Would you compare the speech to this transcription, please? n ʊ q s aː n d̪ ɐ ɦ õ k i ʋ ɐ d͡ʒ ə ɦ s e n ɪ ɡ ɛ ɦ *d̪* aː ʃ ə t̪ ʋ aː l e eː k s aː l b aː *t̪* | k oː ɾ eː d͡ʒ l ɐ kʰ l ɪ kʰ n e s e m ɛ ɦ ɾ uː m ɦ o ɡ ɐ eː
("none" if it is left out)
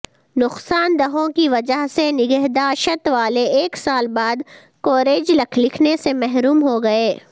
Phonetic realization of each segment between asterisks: d̪, d̪

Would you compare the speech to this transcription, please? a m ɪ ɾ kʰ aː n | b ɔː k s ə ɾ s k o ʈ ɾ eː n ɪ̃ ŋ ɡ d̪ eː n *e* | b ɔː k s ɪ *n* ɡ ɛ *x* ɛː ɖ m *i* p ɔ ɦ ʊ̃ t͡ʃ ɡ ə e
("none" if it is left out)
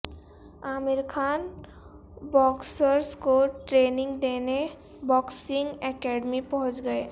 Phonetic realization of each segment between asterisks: e, ŋ, k, i

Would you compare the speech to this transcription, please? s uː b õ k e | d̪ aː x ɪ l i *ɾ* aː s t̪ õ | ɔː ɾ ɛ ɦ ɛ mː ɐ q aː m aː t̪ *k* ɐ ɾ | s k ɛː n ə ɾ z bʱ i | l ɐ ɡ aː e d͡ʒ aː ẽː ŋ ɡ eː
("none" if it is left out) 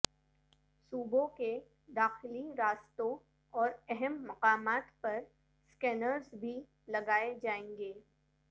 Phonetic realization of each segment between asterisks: ɾ, p

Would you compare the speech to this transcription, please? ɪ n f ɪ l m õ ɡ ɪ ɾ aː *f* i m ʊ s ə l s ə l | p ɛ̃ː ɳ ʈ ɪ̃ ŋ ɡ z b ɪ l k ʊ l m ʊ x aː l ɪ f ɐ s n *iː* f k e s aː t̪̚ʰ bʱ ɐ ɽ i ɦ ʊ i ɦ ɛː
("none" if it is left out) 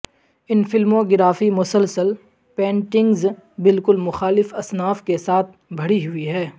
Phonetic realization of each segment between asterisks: f, aː

